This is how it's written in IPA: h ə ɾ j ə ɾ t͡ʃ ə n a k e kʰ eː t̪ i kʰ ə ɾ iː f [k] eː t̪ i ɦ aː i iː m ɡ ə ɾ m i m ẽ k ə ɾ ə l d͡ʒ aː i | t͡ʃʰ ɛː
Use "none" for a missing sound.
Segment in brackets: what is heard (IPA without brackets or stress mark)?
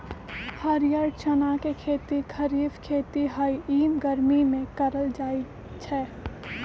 kʰ